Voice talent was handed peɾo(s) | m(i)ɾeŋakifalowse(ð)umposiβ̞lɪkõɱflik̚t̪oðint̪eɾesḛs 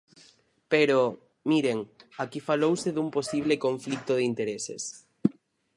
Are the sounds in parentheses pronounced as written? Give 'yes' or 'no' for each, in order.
no, yes, yes

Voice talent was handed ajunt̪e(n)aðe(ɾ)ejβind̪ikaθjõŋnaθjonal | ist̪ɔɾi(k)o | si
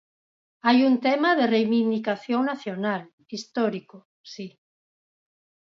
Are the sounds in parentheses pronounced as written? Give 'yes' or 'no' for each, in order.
no, no, yes

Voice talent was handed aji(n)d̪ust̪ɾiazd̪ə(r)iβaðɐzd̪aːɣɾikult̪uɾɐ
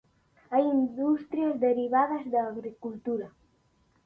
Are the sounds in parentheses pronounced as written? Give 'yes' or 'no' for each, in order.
yes, no

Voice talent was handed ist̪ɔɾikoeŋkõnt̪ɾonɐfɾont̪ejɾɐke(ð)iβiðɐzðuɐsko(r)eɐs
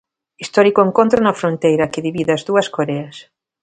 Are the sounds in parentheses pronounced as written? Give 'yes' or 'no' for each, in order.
yes, no

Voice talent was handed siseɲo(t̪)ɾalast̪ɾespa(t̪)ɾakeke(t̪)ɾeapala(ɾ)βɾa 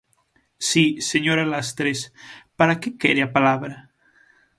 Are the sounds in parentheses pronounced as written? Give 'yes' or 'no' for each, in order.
no, no, no, no

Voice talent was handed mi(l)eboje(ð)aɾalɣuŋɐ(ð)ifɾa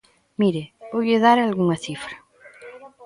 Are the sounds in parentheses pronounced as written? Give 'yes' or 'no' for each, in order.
no, yes, no

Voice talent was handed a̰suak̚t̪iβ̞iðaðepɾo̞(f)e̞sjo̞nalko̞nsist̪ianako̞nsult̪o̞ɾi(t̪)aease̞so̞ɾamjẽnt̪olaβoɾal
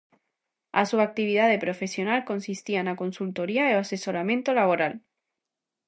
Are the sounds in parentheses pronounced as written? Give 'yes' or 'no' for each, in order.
yes, no

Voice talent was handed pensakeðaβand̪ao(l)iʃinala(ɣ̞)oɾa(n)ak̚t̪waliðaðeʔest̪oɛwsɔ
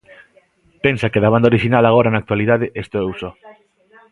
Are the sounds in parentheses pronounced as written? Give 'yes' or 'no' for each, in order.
no, yes, yes

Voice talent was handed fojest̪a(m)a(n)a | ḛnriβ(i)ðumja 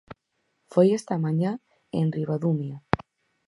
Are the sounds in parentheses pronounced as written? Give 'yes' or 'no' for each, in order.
yes, no, no

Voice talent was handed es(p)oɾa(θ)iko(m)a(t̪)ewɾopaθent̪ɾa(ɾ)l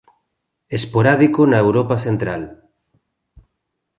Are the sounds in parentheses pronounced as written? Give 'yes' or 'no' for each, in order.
yes, no, no, no, no

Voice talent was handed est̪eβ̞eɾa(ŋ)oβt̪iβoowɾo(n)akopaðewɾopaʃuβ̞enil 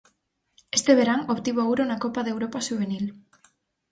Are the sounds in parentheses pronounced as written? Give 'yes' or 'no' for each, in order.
yes, yes

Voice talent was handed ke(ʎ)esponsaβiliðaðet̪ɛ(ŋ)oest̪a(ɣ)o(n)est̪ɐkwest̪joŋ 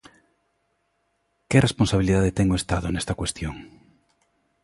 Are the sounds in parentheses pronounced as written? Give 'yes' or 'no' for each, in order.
no, yes, no, yes

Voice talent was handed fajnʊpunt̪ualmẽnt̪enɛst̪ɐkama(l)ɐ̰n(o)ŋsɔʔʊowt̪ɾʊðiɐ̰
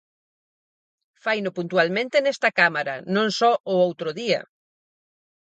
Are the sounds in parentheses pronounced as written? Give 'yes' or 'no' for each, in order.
no, no

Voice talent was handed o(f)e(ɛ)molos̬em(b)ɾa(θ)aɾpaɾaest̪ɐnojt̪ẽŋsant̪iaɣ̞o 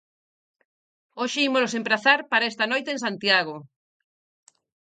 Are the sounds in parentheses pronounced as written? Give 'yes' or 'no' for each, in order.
no, no, no, yes

